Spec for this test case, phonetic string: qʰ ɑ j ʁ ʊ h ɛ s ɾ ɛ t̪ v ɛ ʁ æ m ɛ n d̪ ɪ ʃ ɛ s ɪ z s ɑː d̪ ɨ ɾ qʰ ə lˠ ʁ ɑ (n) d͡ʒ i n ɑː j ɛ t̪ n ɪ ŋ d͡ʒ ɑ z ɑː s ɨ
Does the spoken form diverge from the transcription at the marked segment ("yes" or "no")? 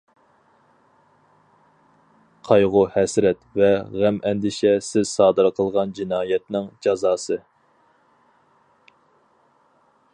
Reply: no